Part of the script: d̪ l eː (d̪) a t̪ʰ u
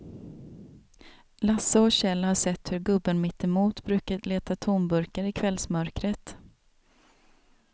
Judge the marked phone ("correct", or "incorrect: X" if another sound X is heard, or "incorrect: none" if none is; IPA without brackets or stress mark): incorrect: t̪